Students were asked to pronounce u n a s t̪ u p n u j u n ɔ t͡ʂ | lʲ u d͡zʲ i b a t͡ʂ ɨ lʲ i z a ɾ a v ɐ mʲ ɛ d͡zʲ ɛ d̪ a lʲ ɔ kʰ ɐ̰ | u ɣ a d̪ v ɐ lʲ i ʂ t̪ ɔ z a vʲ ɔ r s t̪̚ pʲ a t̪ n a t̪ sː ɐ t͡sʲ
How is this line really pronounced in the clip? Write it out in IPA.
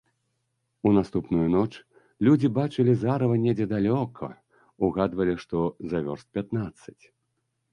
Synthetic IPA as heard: u n a s t̪ u p n u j u n ɔ t͡ʂ | lʲ u d͡zʲ i b a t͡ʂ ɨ lʲ i z a ɾ ɐ v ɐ nʲ ɛ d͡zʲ ɛ d̪ a lʲ ɔ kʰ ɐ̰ | u ɣ a d̪ v ɐ lʲ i ʂ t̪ ɔ z a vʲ ɔ r s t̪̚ pʲ a t̪ n a t̪ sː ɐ t͡sʲ